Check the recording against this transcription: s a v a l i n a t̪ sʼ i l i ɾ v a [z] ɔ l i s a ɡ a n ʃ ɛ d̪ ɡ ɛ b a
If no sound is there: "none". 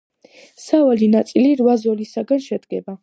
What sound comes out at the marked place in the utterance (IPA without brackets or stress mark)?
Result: z